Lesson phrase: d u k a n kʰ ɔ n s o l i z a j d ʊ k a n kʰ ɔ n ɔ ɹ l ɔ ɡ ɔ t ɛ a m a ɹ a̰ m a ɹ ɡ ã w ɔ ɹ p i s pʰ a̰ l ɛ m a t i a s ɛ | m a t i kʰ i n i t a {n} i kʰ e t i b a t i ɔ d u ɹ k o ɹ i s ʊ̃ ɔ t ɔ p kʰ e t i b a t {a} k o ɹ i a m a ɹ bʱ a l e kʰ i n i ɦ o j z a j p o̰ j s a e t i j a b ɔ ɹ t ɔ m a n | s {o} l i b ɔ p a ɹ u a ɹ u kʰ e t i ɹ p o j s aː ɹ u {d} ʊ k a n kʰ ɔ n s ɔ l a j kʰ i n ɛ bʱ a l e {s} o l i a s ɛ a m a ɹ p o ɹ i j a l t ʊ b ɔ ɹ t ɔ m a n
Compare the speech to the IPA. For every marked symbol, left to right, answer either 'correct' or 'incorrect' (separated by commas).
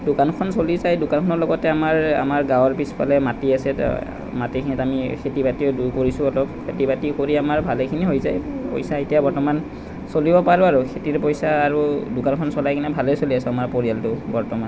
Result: incorrect, incorrect, correct, correct, correct